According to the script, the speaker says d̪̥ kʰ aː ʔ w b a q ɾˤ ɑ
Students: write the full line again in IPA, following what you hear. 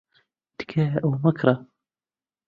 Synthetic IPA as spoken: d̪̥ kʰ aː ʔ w m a k ɾˤ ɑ